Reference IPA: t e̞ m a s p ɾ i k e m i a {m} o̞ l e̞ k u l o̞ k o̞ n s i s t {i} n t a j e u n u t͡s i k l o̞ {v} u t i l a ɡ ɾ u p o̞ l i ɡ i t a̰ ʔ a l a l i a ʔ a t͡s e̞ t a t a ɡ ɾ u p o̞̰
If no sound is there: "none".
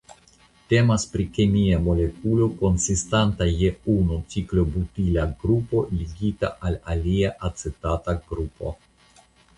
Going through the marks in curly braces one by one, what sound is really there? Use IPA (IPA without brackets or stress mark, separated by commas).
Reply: m, a, b